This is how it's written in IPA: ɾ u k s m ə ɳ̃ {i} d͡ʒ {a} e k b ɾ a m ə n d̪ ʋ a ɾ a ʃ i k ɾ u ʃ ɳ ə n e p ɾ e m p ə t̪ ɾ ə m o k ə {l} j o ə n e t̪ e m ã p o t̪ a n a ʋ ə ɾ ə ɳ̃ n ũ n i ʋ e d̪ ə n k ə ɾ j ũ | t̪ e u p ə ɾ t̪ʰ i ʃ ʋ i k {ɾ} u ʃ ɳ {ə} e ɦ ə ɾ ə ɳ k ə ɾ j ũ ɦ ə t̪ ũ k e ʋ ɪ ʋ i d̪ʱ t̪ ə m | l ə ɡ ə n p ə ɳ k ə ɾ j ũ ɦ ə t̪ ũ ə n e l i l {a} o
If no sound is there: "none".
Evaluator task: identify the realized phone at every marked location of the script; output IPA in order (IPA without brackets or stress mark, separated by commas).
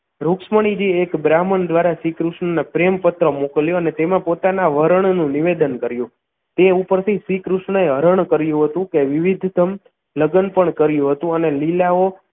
i, i, l, ɾ, ə, a